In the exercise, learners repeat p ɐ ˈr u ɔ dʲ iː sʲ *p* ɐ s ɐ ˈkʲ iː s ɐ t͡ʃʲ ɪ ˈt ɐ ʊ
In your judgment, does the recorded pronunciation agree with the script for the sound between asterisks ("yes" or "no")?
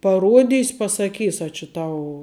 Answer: yes